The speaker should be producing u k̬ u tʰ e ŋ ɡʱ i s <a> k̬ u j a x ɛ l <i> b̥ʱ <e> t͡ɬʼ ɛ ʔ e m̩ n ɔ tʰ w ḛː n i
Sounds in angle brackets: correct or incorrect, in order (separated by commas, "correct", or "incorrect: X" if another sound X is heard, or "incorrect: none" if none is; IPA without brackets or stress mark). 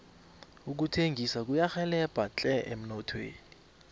correct, incorrect: ɛ, incorrect: a